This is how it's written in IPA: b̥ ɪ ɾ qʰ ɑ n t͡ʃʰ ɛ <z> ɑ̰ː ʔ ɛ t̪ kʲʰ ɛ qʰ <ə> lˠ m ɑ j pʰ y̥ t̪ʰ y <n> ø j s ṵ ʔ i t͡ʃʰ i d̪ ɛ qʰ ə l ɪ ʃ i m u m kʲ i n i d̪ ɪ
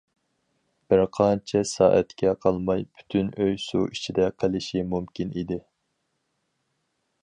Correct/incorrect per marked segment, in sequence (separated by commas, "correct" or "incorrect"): incorrect, incorrect, correct